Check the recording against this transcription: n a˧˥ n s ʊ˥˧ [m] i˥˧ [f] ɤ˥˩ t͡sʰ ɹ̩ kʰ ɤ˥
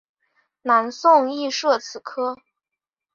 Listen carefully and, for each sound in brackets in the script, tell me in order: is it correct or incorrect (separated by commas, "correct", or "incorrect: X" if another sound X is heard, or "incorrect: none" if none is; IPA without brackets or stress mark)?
incorrect: ŋ, incorrect: ʂ